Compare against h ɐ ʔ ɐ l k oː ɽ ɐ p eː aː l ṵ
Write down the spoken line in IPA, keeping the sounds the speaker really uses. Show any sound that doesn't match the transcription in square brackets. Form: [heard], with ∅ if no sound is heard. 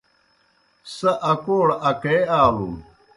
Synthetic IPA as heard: [s] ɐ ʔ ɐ [∅] k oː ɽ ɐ [k] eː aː l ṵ